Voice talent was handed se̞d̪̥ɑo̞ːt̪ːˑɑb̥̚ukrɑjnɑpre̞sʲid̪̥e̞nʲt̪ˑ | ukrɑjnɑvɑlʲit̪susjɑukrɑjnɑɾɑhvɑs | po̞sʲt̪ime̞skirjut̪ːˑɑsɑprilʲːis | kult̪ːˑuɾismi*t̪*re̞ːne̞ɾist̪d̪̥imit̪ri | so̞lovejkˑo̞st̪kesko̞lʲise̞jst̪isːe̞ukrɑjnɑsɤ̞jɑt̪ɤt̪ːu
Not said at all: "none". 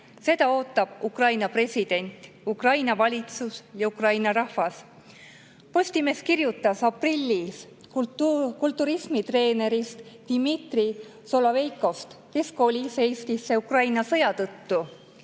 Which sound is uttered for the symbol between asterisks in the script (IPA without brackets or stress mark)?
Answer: t̪